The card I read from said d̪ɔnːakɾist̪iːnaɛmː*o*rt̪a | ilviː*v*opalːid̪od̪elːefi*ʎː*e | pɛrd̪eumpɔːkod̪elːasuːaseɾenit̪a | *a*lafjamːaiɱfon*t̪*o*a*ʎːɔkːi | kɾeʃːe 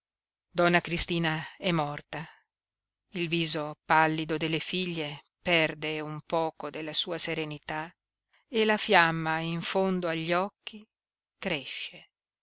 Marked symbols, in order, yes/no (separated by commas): no, no, yes, no, no, yes